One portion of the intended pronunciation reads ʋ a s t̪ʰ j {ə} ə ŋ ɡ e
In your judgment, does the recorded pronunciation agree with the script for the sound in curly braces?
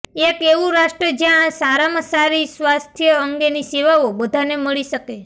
yes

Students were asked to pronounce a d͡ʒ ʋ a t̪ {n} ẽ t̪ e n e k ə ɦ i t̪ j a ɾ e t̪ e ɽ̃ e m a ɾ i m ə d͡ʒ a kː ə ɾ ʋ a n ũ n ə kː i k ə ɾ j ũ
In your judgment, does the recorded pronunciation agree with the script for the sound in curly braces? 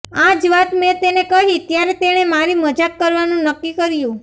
no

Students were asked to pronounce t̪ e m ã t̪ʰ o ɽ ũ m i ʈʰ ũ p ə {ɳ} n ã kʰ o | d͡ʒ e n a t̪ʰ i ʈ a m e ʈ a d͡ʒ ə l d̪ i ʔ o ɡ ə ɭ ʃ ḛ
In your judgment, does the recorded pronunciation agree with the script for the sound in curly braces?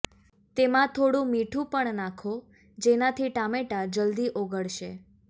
yes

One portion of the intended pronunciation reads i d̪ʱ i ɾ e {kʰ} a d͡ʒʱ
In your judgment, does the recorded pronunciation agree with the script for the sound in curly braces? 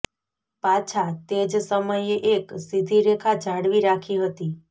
yes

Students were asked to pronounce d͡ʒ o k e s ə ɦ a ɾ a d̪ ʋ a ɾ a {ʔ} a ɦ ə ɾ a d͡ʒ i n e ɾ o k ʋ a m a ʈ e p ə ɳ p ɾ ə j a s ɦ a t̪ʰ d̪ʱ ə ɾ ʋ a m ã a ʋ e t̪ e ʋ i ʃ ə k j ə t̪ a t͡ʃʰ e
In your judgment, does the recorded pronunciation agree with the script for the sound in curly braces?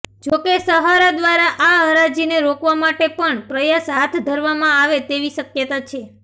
yes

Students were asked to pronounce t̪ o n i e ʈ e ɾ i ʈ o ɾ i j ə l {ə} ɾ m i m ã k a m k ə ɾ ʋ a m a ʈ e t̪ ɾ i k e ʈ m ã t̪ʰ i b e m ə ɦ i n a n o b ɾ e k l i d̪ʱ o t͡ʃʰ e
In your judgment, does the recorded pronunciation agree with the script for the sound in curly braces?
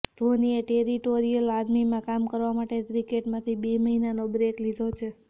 no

